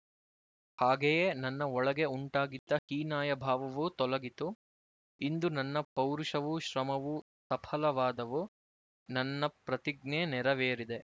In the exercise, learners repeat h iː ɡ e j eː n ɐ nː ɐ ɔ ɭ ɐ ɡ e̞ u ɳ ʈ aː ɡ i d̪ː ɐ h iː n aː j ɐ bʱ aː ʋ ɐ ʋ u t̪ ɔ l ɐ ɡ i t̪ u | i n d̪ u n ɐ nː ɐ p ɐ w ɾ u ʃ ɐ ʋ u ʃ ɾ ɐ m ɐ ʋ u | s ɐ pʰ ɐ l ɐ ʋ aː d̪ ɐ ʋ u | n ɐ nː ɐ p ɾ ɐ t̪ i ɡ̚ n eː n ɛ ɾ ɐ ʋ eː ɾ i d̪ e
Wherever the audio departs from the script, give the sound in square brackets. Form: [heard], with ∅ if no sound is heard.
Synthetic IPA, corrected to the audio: h [aː] ɡ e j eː n ɐ nː ɐ ɔ ɭ ɐ ɡ e̞ u ɳ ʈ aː ɡ i d̪ː ɐ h iː n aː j ɐ bʱ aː ʋ ɐ ʋ u t̪ ɔ l ɐ ɡ i t̪ u | i n d̪ u n ɐ nː ɐ p ɐ w ɾ u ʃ ɐ ʋ u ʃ ɾ ɐ m ɐ ʋ u | s ɐ pʰ ɐ l ɐ ʋ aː d̪ ɐ ʋ u | n ɐ nː ɐ p ɾ ɐ t̪ i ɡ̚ n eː n ɛ ɾ ɐ ʋ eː ɾ i d̪ e